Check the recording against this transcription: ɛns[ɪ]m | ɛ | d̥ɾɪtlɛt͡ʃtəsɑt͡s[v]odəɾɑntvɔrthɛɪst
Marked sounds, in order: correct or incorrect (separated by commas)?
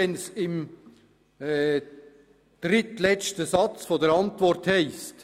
correct, incorrect